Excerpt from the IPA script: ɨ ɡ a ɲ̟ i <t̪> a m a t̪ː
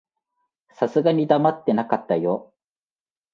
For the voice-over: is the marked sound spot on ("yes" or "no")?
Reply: no